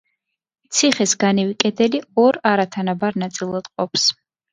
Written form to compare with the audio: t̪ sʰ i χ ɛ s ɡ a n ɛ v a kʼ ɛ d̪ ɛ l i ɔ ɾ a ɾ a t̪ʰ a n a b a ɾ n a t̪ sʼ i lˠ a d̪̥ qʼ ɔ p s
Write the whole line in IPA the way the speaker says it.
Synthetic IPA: t̪ sʰ i χ ɛ s ɡ a n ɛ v i kʼ ɛ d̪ ɛ l i ɔ ɾ a ɾ a t̪ʰ a n a b a ɾ n a t̪ sʼ i lˠ a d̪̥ qʼ ɔ p s